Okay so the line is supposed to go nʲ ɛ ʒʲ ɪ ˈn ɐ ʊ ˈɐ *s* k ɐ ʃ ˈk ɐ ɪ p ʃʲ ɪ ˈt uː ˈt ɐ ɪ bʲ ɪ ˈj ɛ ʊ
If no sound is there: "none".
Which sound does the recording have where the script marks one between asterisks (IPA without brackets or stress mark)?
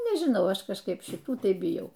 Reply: ʃ